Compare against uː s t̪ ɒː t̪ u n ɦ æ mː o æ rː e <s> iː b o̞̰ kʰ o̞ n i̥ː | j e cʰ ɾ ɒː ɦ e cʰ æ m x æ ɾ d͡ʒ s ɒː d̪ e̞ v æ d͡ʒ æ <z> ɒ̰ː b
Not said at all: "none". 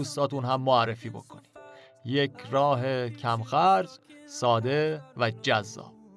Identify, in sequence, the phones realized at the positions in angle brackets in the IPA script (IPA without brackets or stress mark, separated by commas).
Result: f, zː